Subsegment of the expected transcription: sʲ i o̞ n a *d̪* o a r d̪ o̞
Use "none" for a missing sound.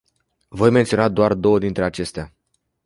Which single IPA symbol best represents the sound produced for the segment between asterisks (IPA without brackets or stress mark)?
d̪